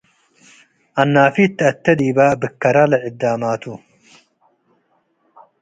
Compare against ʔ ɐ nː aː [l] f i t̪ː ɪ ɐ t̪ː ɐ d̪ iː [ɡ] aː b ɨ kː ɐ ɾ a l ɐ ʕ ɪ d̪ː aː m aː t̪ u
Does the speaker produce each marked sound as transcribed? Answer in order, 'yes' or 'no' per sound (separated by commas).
no, no